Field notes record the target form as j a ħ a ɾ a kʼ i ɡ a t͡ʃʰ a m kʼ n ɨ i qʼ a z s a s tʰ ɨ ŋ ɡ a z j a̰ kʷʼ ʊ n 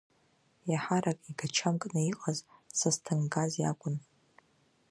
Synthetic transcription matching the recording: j a ħ a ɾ a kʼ i ɡ a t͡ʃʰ a m kʼ n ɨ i qʼ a z s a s tʰ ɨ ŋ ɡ a z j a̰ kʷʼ ʊ n